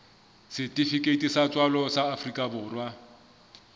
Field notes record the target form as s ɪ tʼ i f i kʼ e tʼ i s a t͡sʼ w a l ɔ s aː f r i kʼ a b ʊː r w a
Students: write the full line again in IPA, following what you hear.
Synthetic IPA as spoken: s ɪ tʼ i f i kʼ e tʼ i s a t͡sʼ w a l ɔ s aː f r i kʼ a b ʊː r w a